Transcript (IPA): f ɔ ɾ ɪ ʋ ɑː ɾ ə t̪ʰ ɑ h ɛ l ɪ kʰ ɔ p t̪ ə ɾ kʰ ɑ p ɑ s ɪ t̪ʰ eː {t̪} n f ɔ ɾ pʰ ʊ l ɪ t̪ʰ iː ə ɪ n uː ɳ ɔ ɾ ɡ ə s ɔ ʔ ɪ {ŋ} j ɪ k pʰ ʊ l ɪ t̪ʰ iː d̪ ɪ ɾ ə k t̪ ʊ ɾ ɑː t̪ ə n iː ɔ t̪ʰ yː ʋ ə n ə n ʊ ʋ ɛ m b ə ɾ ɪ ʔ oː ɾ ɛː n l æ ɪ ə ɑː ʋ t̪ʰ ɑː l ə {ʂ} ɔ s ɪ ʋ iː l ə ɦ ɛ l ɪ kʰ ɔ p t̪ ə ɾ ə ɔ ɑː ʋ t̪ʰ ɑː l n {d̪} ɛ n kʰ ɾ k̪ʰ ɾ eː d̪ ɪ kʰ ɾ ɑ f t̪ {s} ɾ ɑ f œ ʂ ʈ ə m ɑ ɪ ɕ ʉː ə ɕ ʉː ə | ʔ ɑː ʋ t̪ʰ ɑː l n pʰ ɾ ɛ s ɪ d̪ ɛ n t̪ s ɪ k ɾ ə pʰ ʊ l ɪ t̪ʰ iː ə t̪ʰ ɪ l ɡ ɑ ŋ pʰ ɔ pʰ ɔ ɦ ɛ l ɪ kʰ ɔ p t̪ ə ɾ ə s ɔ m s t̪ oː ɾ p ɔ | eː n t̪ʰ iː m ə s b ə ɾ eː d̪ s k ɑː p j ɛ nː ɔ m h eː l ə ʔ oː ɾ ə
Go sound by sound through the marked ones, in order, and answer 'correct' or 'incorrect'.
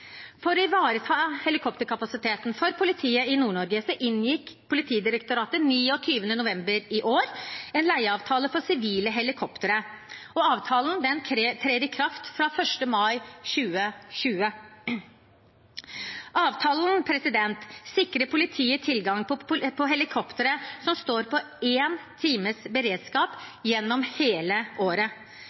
correct, incorrect, incorrect, correct, incorrect

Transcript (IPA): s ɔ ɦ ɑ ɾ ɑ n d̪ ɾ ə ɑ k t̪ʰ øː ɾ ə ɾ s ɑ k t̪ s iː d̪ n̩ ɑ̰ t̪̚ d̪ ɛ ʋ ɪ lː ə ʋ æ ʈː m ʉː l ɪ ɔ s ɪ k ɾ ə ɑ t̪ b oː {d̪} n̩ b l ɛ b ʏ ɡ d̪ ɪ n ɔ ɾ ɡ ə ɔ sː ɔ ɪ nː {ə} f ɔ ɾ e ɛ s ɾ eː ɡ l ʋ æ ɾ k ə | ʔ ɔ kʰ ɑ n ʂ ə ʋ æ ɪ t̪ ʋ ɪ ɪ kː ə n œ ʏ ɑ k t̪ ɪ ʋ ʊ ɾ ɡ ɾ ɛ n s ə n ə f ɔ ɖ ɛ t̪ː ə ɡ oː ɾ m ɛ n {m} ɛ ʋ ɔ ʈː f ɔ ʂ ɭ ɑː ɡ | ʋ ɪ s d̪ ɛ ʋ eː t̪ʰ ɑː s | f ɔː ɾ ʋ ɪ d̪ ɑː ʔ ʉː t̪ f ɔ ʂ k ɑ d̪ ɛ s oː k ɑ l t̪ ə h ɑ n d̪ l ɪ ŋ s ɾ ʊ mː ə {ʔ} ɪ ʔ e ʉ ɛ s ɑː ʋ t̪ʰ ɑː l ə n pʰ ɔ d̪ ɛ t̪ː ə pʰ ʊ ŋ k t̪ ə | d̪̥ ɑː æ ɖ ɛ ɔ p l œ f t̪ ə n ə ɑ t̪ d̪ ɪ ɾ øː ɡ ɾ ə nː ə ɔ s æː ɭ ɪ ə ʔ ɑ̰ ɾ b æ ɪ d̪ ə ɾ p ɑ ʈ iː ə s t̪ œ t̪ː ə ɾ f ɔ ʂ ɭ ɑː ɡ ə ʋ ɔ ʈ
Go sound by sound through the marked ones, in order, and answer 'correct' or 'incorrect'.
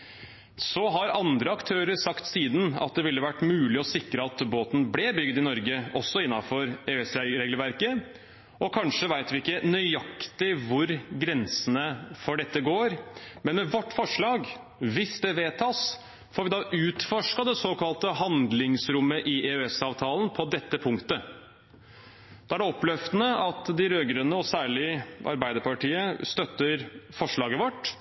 incorrect, incorrect, correct, correct

